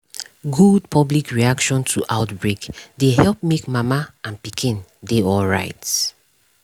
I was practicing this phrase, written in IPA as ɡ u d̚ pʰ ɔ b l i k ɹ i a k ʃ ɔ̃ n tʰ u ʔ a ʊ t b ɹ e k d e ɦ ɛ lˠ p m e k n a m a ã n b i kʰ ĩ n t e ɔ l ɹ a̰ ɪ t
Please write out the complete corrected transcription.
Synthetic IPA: ɡ u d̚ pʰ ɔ b l i k ɹ i a k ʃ ɔ̃ n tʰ u ʔ a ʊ t b ɹ e k d e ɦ ɛ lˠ p m e k m a m a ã n p i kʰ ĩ n d e ɔ l ɹ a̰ ɪ t